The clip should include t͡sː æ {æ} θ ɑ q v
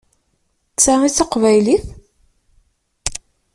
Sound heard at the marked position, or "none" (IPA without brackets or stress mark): i